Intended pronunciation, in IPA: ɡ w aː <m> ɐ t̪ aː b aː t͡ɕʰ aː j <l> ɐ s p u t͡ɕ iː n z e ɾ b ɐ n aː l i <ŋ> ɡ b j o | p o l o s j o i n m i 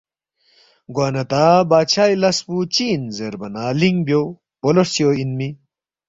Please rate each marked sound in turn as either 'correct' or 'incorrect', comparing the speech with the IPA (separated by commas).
incorrect, correct, correct